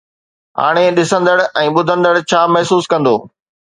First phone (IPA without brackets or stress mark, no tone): ɦ